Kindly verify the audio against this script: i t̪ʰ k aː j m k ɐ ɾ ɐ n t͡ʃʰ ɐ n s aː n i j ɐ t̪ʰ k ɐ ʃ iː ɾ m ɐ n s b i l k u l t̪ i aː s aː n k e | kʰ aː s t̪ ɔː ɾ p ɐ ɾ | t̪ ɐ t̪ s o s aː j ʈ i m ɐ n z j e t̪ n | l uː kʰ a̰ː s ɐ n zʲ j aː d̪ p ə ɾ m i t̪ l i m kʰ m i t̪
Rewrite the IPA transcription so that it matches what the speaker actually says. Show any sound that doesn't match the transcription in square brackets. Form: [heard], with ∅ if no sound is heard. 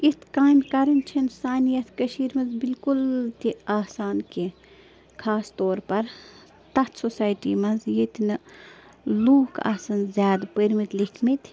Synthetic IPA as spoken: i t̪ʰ k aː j m k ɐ ɾ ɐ n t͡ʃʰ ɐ n s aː n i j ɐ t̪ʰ k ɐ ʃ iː ɾ m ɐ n [z] b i l k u l t̪ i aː s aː n k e | kʰ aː s t̪ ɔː ɾ p ɐ ɾ | t̪ ɐ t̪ s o s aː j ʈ i m ɐ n z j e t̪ n | l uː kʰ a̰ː s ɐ n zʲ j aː d̪ p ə ɾ m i t̪ l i [∅] kʰ m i t̪